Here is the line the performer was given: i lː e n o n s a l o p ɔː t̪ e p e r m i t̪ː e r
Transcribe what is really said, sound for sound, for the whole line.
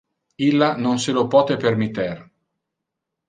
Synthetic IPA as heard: i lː a n o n s e l o p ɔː t̪ e p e r m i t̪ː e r

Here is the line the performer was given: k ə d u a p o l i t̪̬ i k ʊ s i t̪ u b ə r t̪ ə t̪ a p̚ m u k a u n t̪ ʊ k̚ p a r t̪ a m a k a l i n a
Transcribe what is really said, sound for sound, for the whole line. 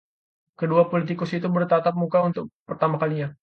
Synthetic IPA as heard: k ə d u a p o l i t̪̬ i k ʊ s i t̪ u b ə r t̪ a t̪ a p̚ m u k a u n t̪ ʊ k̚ p ə r t̪ a m a k a l i ɲ a

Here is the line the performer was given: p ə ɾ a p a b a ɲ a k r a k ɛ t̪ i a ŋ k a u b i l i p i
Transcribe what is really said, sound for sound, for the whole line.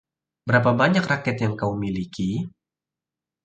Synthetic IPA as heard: b ə ɾ a p a b a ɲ a k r a k ɛ t̪ j a ŋ k a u m i l i k i

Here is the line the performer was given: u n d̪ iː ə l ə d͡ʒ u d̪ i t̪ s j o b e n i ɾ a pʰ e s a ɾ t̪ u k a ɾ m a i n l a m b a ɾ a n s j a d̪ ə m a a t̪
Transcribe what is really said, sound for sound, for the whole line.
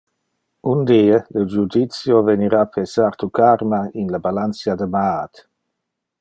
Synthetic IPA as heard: u n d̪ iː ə l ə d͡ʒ u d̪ i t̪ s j o v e n i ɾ a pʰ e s a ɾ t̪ u k a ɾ m a i n l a b a l a n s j a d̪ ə m a a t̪

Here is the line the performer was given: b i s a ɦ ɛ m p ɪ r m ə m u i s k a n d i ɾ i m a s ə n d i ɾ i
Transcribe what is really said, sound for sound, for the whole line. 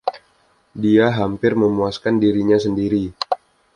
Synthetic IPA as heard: d i a ɦ a m p ɪ r m ə m u a s k a n d i ɾ i ɲ a s ə n d i ɾ i

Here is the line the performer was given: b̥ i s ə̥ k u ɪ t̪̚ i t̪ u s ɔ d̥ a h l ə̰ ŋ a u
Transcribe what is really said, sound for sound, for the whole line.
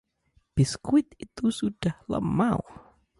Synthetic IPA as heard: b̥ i s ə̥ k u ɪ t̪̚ i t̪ u s u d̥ a h l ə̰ m a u

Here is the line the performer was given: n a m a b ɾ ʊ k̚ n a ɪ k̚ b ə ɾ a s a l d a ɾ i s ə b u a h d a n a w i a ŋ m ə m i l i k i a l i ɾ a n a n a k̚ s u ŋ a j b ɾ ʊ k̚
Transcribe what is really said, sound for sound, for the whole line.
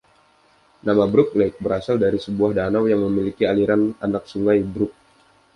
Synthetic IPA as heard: n a m a b ɾ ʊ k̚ n a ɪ k̚ b ə ɾ a s a l d a ɾ i s ə b u a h d a n a w j a ŋ m ə m i l i k i a l i ɾ a n a n a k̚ s u ŋ a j b ɾ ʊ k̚

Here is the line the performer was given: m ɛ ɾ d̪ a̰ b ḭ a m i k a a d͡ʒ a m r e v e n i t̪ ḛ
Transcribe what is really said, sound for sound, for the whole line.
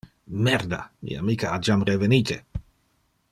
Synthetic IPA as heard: m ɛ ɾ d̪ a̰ m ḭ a m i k a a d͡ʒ a m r e v e n i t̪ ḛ

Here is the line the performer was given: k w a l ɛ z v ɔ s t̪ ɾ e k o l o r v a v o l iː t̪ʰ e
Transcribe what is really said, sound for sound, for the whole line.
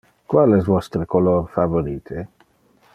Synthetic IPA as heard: k w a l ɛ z v ɔ s t̪ ɾ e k o l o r f a v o ɾ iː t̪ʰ e

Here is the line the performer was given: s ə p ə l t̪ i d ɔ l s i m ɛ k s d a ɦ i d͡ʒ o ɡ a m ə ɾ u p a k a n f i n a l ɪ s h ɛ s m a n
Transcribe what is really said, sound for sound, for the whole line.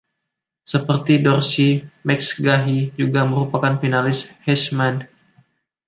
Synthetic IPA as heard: s ə p ə r t̪ i d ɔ r s i m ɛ k s ɡ a ɦ i d͡ʒ u ɡ a m ə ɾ u p a k a n f i n a l ɪ s h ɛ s m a n

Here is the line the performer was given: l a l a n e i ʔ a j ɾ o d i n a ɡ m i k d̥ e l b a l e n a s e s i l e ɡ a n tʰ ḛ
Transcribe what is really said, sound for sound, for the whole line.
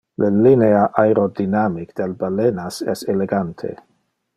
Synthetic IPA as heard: l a l i n e a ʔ a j ɾ o d i n a m i k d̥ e l b a l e n a s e s e l e ɡ a n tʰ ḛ

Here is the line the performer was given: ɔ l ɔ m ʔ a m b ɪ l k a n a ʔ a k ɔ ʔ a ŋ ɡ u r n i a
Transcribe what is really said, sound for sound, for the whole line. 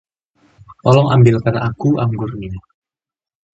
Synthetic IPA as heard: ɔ l ɔ ŋ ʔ a m b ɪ l k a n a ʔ a k u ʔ a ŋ ɡ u r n i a

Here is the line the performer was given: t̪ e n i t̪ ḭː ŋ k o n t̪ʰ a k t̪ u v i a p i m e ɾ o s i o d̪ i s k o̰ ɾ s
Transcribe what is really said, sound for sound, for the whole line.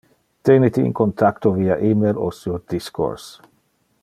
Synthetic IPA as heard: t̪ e n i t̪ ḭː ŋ k o n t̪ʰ a k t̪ o v i a ʔ i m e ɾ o s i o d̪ i s k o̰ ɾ s

